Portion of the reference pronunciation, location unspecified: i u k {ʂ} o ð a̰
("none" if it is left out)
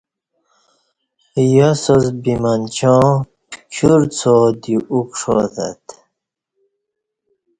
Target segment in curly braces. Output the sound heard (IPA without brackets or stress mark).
ʂ